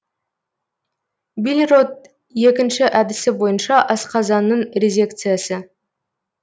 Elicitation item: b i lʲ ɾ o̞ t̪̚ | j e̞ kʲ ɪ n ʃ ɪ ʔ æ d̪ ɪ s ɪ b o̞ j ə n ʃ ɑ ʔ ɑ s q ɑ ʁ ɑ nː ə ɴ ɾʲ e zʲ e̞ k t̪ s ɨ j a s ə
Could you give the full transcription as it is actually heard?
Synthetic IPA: b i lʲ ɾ o̞ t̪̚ | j e̞ kʲ ɪ n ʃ ɪ ʔ æ d̪ ɪ s ɪ b o̞ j ə n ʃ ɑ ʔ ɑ s q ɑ z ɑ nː ə ɴ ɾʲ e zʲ e̞ k t̪ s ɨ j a s ə